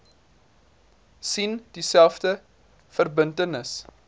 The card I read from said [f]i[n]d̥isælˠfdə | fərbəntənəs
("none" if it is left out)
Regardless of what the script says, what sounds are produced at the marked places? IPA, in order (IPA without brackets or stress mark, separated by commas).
s, n